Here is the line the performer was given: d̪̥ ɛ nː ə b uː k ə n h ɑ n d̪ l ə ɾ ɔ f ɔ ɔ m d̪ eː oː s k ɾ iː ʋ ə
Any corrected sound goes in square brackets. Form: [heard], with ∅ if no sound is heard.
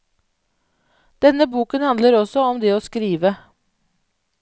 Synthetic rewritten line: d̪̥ ɛ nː ə b uː k ə n h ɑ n d̪ l ə ɾ ɔ [s] ɔ ɔ m d̪ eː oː s k ɾ iː ʋ ə